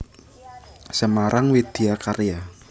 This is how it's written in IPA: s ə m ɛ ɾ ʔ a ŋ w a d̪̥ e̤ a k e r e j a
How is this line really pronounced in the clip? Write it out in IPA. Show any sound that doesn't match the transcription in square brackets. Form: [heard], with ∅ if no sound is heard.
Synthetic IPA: s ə m [a] ɾ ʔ a ŋ w [i] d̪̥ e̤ a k [a] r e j a

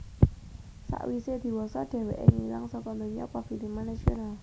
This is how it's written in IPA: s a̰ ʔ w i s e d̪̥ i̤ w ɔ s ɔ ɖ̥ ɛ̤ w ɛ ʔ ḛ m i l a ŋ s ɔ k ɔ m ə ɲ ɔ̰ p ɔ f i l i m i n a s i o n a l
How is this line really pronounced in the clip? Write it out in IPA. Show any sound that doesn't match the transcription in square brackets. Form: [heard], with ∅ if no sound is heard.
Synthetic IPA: s a̰ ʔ w i s e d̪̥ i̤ w ɔ s ɔ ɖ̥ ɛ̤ w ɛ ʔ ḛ [ŋ] i l a ŋ s ɔ k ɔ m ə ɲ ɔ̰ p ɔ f i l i m [a] n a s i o n a l

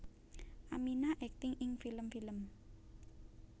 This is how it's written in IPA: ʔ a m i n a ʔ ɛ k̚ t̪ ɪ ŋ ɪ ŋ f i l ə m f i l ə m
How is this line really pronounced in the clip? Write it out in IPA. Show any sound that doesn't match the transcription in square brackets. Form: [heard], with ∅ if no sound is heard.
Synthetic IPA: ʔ a m i n a ʔ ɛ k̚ t̪ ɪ ŋ ɪ ŋ f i l ə m f i l ə m

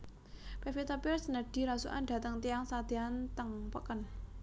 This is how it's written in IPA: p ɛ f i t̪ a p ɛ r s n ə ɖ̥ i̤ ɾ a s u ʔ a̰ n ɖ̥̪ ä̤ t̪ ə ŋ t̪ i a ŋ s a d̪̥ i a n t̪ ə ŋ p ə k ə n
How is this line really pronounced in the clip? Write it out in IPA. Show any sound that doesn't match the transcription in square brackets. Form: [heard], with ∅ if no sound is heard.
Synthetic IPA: p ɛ f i t̪ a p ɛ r s n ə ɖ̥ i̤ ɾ a s u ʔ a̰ n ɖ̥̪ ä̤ t̪ ə ŋ t̪ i a ŋ s a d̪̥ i a n t̪ ə ŋ p ə k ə n

